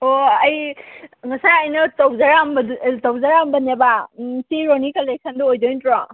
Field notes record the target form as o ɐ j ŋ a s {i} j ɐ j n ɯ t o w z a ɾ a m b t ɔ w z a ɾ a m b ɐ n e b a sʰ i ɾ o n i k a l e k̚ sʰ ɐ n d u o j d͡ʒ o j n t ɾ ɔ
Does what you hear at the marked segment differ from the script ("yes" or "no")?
yes